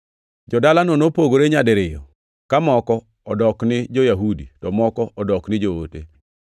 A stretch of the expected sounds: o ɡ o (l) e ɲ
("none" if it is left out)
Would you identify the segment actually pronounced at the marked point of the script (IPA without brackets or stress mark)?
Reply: ɾ